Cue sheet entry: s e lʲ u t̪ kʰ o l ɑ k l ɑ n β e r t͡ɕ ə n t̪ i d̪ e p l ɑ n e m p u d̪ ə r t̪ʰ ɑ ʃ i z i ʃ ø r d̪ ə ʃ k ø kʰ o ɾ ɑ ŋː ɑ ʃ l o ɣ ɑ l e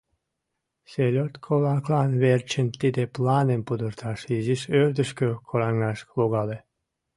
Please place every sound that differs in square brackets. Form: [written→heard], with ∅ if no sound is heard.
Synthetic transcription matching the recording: s e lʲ [u→o] t̪ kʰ o l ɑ k l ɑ n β e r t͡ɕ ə n t̪ i d̪ e p l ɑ n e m p u d̪ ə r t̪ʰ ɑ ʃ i z i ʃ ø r d̪ ə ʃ k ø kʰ o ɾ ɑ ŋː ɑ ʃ l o ɣ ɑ l e